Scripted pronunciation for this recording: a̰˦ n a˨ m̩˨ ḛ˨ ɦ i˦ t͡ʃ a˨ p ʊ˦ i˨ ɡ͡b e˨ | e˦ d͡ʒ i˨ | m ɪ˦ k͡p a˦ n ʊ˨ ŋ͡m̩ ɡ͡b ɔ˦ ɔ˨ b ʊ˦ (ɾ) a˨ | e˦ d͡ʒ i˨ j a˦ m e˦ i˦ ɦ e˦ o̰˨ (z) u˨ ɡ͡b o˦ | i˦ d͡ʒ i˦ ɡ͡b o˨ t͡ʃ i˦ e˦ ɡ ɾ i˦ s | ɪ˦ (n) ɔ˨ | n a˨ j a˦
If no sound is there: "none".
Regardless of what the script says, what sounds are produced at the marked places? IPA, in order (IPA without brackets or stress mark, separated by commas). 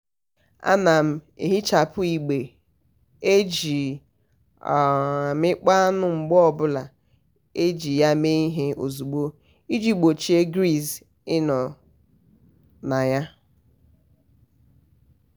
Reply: l, z, n